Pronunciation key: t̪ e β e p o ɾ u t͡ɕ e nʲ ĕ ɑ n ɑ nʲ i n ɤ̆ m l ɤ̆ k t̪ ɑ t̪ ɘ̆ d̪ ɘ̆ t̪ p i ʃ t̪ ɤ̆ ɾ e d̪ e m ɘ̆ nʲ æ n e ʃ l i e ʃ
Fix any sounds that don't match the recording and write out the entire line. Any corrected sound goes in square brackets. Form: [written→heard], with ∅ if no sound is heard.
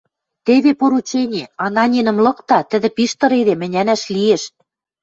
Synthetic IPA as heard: t̪ e β e p o ɾ u t͡ɕ e nʲ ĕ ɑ n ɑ nʲ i n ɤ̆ m l ɤ̆ k t̪ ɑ t̪ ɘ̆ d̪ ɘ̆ [t̪→∅] p i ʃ t̪ ɤ̆ ɾ e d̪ e m ɘ̆ nʲ æ n [e→æ] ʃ l i e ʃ